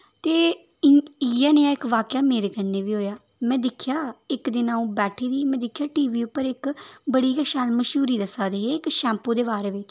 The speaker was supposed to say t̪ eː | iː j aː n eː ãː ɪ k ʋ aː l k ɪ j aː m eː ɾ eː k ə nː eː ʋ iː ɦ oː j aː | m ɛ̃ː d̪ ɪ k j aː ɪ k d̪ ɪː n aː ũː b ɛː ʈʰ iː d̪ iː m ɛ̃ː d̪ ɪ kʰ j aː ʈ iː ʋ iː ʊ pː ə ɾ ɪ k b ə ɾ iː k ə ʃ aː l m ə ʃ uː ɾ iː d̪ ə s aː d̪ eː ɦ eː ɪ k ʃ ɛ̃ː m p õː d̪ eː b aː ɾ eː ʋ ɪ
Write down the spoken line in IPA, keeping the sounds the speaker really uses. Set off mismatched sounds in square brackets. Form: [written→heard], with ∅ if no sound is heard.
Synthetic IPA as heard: t̪ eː | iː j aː n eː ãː ɪ k ʋ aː [l→∅] k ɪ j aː m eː ɾ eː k ə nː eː ʋ iː ɦ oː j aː | m ɛ̃ː d̪ ɪ [k→kʰ] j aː ɪ k d̪ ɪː n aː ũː b ɛː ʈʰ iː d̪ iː m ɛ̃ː d̪ ɪ kʰ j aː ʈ iː ʋ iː ʊ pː ə ɾ ɪ k b ə [ɾ→ɽ] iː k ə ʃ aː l m ə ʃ uː ɾ iː d̪ ə s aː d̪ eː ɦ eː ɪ k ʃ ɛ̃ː m p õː d̪ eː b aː ɾ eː ʋ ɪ

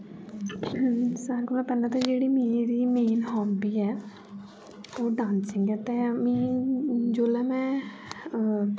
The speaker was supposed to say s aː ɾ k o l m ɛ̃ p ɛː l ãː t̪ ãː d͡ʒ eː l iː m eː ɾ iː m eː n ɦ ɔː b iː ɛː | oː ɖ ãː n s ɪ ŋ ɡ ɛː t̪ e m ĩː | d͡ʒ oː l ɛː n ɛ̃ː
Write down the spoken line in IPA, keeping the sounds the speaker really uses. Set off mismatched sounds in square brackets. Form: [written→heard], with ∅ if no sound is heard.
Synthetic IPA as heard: s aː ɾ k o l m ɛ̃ p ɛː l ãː t̪ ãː d͡ʒ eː [l→ɽ] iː m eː ɾ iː m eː n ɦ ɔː b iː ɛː | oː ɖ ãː n s ɪ ŋ ɡ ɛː t̪ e m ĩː | d͡ʒ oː l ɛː [n→m] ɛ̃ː

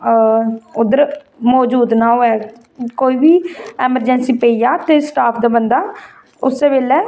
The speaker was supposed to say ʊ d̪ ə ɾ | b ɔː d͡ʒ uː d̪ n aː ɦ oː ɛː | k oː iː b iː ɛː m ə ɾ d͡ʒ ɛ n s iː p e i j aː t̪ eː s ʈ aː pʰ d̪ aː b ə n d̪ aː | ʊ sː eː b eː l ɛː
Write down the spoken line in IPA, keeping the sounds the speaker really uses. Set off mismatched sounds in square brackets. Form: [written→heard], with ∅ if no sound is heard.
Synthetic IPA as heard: ʊ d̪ ə ɾ | [b→m] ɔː d͡ʒ uː d̪ n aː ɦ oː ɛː | k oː iː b iː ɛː m ə ɾ d͡ʒ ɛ n s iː p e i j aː t̪ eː s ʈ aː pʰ d̪ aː b ə n d̪ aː | ʊ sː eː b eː l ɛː

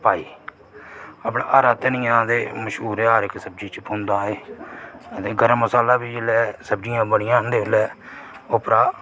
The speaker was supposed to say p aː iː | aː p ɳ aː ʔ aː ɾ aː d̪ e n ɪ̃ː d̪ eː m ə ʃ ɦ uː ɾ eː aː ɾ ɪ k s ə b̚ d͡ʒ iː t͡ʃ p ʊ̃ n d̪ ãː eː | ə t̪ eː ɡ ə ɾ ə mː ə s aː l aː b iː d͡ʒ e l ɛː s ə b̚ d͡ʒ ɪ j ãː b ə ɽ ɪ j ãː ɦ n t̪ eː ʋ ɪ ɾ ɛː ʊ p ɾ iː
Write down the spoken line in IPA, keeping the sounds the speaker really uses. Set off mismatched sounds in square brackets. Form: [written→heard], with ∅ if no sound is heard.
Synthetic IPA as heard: p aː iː | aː p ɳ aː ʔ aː ɾ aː [d̪→t̪] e n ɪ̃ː d̪ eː m ə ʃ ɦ uː ɾ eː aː ɾ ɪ k s ə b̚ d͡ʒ iː t͡ʃ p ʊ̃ n d̪ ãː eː | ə t̪ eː ɡ ə ɾ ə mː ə s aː l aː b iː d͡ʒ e l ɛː s ə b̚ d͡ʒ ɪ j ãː b ə ɽ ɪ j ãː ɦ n [t̪→d̪] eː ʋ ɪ [ɾ→l] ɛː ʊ p ɾ [iː→aː]

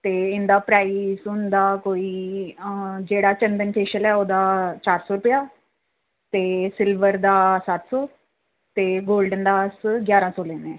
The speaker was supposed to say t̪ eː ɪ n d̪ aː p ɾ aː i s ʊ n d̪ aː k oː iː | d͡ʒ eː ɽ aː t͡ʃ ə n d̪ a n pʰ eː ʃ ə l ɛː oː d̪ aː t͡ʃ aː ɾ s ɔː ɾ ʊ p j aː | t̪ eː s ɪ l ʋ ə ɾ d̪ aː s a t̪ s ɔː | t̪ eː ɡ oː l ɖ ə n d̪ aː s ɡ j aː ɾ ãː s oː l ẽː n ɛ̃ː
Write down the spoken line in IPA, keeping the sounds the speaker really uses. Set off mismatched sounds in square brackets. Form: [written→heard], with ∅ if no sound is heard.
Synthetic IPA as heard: t̪ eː ɪ n d̪ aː p ɾ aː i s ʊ n d̪ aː k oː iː | d͡ʒ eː ɽ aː t͡ʃ ə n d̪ [a→ə] n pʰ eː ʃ ə l ɛː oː d̪ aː t͡ʃ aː ɾ s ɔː ɾ ʊ p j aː | t̪ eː s ɪ l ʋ ə ɾ d̪ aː s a t̪ s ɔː | t̪ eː ɡ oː l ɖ ə n d̪ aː s ɡ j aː ɾ ãː s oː l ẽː n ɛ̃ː

